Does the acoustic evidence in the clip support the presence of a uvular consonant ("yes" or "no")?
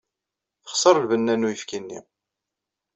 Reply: yes